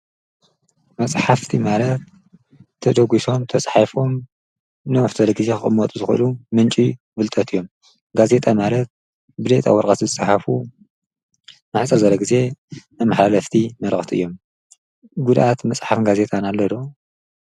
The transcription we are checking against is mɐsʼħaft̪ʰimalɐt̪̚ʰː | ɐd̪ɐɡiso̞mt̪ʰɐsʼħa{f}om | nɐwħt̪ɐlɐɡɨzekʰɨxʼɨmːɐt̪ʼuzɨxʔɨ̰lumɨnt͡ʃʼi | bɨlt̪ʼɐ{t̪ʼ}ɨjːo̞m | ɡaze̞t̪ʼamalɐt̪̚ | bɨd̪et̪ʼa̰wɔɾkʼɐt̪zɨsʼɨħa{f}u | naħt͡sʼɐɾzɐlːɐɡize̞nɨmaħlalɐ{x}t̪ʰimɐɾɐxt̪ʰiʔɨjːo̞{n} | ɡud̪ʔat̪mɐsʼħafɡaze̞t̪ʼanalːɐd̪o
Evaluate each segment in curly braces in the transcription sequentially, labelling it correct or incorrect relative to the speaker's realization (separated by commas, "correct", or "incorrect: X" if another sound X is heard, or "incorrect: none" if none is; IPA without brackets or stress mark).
correct, incorrect: t̪, correct, incorrect: f, incorrect: m